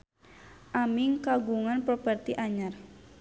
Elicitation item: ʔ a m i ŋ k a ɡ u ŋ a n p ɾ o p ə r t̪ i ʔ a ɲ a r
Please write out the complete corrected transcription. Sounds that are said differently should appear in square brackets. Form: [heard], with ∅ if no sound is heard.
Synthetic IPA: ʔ a m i ŋ k a ɡ u ŋ a n p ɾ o p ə r t̪ i ʔ a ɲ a r